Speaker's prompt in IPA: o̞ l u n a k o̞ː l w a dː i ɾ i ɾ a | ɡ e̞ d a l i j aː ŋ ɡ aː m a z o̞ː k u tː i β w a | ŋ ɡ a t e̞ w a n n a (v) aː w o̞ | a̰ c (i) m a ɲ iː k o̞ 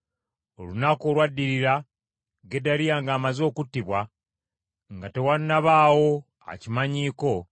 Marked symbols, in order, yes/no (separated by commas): no, yes